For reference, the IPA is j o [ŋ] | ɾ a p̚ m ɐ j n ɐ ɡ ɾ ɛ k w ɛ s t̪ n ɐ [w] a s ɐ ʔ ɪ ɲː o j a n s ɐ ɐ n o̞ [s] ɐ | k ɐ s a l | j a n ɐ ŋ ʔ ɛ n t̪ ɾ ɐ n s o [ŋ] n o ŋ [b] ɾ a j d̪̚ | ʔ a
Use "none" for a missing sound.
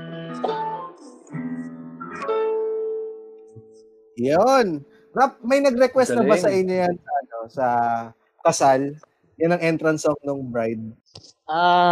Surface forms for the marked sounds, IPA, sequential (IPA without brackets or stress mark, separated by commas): n, b, s, ŋ, b